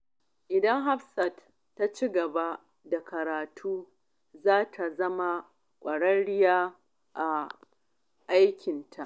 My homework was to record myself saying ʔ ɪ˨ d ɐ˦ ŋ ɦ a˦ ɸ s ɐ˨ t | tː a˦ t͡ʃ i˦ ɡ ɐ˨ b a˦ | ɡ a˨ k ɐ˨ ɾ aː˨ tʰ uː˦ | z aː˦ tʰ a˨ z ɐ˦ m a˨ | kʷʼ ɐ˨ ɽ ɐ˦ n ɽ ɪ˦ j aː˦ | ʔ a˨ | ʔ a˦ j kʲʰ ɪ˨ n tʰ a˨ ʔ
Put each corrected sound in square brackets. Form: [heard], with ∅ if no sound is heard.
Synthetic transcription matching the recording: ʔ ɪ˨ d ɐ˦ ŋ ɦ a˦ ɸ s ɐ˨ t | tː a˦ t͡ʃ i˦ ɡ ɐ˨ b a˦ | [d] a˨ k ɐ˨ ɾ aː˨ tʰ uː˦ | z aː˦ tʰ a˨ z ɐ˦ m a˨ | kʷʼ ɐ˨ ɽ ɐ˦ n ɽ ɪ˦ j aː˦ | ʔ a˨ | ʔ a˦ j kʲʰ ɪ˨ n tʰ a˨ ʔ

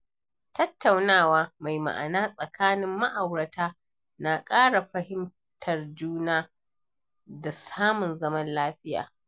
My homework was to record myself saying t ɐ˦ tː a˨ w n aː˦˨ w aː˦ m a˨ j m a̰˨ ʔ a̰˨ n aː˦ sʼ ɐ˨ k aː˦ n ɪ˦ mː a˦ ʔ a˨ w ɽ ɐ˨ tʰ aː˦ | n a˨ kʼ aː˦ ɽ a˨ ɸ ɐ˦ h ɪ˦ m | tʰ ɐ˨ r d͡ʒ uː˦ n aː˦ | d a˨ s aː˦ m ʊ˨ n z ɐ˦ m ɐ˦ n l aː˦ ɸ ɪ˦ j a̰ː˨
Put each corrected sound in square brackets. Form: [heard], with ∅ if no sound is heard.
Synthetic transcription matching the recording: t ɐ˦ tː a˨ w n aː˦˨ w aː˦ m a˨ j m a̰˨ ʔ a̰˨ n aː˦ sʼ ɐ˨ k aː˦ n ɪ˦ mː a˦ ʔ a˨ w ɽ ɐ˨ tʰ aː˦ | n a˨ kʼ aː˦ ɽ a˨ ɸ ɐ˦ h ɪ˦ m | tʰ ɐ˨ r d͡ʒ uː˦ n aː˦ | d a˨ s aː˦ m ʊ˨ n z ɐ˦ m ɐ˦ n l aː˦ ɸ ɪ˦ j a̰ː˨

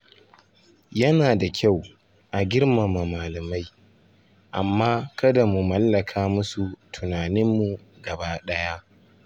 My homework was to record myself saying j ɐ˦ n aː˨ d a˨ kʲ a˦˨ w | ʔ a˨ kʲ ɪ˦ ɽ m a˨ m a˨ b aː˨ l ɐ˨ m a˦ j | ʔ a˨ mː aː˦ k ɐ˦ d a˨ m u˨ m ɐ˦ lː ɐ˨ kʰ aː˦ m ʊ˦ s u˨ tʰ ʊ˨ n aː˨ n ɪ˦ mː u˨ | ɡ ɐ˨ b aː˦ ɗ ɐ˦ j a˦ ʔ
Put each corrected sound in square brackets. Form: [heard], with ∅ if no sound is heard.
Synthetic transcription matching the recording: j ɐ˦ n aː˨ d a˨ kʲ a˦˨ w | ʔ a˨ [ɡʲ] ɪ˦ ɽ m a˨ m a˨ [m] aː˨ l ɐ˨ m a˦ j | ʔ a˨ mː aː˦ k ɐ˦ d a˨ m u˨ m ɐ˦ lː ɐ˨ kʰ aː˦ m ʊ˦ s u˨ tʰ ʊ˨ n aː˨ n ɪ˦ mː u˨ | ɡ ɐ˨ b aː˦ ɗ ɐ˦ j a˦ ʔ

